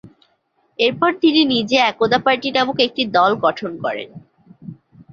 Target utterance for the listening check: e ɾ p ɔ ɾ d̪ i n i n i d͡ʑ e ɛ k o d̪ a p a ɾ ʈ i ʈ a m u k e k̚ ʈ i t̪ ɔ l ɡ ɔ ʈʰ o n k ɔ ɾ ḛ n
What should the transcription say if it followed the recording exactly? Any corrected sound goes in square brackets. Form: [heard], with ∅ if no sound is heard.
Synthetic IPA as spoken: e ɾ p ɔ ɾ [t̪] i n i n i d͡ʑ e ɛ k o d̪ a p a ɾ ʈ i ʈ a m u k e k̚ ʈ i [d̪] ɔ l ɡ ɔ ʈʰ o n k ɔ ɾ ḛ n